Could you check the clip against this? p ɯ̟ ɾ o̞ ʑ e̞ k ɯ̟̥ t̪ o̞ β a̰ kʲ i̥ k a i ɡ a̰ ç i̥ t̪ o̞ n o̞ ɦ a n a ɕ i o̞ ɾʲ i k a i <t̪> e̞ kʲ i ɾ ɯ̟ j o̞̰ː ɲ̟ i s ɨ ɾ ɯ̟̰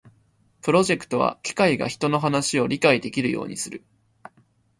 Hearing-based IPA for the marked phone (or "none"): d̪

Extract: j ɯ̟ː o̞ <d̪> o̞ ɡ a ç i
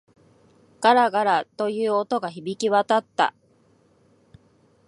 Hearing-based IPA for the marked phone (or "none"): t̪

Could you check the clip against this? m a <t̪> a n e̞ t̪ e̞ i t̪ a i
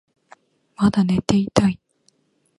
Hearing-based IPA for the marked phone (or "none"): d̪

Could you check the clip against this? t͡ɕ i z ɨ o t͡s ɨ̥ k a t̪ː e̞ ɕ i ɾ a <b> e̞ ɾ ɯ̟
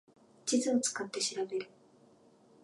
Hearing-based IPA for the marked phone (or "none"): b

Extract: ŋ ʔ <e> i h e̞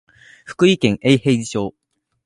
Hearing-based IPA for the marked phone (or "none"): e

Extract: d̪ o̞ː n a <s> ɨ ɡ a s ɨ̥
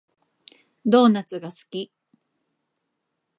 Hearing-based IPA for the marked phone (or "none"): t͡s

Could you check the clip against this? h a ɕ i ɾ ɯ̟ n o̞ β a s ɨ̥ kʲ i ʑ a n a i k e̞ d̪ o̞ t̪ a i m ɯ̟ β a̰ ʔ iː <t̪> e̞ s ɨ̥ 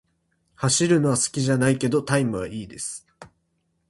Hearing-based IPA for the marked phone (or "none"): d̪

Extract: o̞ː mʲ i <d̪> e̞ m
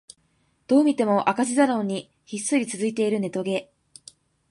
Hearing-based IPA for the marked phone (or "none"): t̪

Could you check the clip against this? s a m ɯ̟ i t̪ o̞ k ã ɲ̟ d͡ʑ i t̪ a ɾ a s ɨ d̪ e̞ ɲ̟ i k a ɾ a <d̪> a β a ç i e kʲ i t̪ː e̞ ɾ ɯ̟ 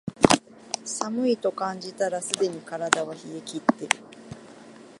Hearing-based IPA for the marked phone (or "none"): d̪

